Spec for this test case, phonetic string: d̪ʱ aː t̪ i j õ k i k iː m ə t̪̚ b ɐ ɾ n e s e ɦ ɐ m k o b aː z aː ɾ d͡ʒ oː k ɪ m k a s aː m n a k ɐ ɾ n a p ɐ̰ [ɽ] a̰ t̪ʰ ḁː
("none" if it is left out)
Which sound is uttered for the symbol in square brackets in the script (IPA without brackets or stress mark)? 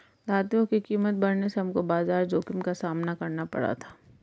ɽ